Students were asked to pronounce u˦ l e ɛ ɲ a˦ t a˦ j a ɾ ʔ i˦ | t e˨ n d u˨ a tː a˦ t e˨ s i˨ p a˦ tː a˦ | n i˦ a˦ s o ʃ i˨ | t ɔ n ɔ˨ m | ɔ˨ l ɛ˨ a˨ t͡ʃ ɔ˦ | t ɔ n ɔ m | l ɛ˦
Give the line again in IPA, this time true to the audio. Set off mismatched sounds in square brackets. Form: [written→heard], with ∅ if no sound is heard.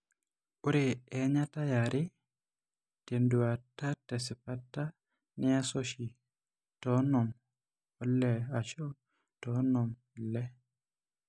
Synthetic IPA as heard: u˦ [l→ɾ] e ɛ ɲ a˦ t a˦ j a ɾ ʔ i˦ | t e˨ n d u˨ a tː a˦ t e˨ s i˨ p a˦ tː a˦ | n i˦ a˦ s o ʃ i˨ | t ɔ n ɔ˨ m | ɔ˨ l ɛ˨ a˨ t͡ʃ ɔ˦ | t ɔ n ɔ m | l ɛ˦

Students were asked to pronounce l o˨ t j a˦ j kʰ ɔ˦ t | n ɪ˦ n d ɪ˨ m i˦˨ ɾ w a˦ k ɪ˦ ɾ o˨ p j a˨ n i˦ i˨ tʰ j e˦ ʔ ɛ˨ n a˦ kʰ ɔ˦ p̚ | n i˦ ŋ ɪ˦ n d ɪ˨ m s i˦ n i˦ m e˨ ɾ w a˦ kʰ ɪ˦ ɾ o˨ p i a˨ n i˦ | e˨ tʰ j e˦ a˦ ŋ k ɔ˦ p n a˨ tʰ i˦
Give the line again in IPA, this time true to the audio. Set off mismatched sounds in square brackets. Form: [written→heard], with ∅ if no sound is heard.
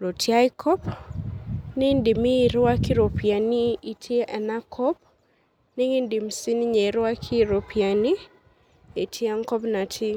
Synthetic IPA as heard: l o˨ t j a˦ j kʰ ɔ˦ [t→p] | n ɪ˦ n d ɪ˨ m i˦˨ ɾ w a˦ k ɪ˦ ɾ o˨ p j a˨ n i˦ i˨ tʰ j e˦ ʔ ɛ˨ n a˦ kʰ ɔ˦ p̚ | n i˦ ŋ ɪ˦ n d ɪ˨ m s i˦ n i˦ [m→ɲ] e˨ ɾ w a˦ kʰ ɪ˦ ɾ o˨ p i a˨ n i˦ | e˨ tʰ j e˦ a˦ ŋ k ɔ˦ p n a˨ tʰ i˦

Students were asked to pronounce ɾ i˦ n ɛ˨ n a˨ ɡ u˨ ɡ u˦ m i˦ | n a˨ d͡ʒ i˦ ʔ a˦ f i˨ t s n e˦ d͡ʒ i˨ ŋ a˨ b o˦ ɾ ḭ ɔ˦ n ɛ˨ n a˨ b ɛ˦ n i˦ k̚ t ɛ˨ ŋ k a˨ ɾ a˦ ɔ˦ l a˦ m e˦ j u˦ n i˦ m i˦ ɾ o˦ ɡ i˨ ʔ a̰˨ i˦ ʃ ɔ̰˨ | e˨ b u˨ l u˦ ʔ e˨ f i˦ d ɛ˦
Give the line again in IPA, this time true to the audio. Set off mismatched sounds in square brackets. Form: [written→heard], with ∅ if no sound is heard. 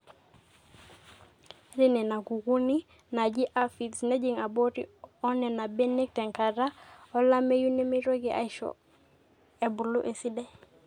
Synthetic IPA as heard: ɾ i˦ n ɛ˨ n a˨ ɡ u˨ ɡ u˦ [m→n] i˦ | n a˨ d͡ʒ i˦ ʔ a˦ f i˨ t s n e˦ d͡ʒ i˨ ŋ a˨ b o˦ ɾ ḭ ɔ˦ n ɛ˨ n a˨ b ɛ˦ n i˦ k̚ t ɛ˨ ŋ k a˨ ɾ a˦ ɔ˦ l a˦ m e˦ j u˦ n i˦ m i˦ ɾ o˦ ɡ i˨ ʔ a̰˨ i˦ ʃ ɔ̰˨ | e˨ b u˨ l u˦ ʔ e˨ [f→s] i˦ d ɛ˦

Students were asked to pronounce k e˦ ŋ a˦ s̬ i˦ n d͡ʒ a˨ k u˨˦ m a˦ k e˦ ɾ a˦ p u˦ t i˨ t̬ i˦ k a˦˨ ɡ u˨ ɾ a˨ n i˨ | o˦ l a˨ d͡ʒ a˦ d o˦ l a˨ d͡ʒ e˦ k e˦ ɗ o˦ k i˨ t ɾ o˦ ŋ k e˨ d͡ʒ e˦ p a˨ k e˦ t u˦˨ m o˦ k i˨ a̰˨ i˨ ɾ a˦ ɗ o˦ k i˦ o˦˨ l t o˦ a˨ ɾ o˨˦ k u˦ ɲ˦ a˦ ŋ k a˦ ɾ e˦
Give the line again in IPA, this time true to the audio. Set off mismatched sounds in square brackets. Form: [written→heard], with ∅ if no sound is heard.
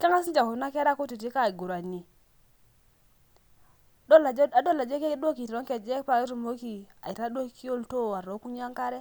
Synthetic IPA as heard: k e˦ ŋ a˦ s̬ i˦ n d͡ʒ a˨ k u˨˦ [m→n] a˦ k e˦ ɾ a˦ [p→k] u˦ t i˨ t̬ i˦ k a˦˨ ɡ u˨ ɾ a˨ n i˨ | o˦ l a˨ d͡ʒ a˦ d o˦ l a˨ d͡ʒ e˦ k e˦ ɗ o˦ k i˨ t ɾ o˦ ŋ k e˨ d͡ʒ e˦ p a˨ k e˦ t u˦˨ m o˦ k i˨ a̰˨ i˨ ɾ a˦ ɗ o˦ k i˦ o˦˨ l t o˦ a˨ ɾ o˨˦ k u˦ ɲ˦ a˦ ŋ k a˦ ɾ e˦

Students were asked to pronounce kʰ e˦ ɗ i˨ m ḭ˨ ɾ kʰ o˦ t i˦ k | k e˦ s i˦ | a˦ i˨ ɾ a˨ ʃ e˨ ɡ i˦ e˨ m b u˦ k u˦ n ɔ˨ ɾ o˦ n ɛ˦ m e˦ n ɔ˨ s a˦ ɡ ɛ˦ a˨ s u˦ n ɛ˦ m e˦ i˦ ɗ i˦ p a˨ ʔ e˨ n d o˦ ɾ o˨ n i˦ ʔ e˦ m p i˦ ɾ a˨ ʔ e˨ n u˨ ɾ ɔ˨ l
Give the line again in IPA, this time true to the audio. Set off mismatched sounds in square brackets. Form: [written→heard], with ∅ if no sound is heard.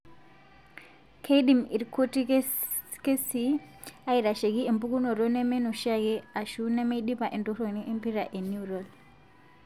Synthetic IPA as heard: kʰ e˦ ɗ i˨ m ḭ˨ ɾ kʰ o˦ t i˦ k | k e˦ s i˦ | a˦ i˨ ɾ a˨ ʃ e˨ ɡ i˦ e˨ m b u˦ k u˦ n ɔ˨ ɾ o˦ n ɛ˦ m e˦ n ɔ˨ [s→ʃ] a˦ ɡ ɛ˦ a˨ [s→ʃ] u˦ n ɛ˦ m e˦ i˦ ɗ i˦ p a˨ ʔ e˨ n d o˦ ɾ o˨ n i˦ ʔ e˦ m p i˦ ɾ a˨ ʔ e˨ n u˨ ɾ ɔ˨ l

